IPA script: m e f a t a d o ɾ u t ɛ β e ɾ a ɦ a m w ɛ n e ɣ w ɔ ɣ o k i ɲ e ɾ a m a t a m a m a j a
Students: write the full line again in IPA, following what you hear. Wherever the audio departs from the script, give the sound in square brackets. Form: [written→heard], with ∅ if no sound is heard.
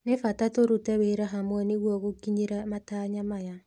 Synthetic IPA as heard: [m→n] e f a t a [d→t] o ɾ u t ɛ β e ɾ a ɦ a m w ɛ n e ɣ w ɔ ɣ o k i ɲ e ɾ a m a t a [m→ɲ] a m a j a